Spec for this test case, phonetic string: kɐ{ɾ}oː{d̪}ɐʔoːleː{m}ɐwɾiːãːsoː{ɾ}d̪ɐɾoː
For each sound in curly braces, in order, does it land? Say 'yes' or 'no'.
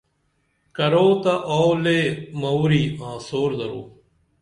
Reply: yes, no, yes, yes

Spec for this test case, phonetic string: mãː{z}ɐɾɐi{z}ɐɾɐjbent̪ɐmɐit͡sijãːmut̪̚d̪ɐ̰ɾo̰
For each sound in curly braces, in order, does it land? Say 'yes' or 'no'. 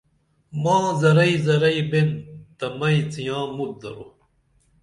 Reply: yes, yes

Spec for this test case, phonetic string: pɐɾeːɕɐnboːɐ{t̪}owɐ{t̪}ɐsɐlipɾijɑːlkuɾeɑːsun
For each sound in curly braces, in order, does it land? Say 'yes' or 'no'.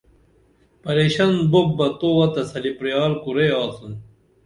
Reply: yes, yes

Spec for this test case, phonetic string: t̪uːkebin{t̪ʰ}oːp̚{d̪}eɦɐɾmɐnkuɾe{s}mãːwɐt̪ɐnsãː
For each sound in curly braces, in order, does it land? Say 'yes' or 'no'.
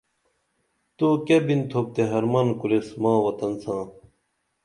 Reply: yes, no, yes

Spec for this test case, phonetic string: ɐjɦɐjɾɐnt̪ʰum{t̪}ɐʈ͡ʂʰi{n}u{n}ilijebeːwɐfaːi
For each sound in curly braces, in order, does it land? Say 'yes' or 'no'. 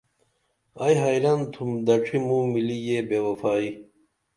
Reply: no, no, no

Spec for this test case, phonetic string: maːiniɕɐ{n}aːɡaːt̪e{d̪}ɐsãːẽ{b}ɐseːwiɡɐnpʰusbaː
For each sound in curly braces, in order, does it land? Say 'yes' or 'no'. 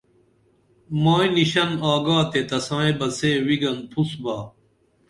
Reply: yes, no, yes

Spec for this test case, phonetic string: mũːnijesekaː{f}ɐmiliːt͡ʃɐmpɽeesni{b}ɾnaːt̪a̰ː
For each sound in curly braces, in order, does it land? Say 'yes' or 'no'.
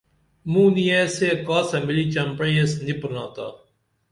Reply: no, no

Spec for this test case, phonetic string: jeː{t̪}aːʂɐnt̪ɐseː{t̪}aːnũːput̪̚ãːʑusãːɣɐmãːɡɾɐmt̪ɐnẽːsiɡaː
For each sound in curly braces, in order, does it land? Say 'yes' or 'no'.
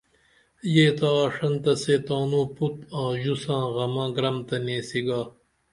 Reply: yes, yes

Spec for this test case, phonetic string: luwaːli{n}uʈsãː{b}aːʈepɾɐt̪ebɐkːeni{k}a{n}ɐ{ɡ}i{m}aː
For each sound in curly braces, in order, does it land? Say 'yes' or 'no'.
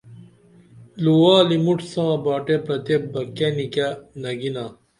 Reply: no, yes, yes, yes, yes, no

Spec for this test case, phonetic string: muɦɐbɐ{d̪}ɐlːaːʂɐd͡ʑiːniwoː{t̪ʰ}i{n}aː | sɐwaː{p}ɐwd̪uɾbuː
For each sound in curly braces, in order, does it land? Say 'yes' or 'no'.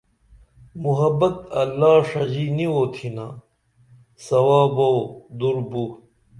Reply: no, yes, yes, no

